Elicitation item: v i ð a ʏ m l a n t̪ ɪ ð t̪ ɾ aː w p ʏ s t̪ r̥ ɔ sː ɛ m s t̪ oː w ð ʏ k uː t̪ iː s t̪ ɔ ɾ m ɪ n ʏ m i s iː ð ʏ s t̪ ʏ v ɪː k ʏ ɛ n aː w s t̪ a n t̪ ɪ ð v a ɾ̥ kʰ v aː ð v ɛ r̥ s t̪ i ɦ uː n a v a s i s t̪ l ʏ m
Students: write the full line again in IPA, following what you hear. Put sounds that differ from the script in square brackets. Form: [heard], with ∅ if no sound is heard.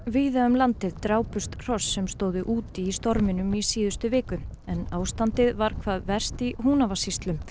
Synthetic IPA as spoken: v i ð a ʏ m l a n t̪ ɪ ð t̪ ɾ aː w p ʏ s t̪ r̥ ɔ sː ɛ m s t̪ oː w ð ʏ [ʔ] uː t̪ iː s t̪ ɔ ɾ m ɪ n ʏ m i s iː ð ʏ s t̪ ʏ v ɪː k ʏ ɛ n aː w s t̪ a n t̪ ɪ ð v a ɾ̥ kʰ v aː ð v ɛ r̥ s t̪ i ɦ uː n a v a s i s t̪ l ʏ m